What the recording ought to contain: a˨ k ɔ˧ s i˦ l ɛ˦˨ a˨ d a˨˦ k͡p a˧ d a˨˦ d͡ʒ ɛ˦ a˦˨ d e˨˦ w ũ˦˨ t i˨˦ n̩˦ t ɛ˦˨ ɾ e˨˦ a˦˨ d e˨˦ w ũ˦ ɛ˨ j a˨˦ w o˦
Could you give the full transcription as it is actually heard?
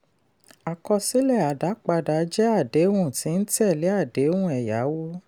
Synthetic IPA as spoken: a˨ k ɔ˧ s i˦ l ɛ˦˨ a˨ d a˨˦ k͡p a˧ d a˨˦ d͡ʒ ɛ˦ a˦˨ d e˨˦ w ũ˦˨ t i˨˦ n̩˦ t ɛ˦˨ l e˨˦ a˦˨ d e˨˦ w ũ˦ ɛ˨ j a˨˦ w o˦